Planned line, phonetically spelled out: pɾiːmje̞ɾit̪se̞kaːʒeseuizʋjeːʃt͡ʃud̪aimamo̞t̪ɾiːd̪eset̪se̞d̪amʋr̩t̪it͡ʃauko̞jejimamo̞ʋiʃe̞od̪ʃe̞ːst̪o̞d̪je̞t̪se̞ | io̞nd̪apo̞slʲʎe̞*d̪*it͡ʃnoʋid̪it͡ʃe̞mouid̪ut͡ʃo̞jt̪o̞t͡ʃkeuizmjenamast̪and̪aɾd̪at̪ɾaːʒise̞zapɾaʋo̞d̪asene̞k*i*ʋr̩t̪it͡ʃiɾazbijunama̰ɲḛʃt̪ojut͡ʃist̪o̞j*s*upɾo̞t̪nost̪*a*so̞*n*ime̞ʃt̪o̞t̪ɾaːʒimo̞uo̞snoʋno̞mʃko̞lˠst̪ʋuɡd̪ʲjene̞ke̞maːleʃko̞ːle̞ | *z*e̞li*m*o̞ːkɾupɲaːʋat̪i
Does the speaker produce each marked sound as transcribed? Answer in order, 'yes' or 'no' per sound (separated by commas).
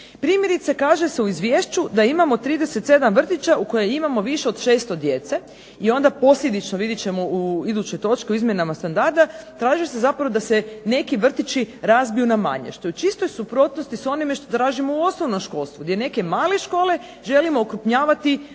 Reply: yes, yes, yes, no, yes, no, yes